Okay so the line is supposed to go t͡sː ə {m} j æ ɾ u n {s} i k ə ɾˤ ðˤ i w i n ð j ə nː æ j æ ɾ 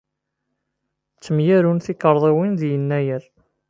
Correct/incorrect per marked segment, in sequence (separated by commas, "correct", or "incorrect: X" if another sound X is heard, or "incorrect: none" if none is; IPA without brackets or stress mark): correct, incorrect: θ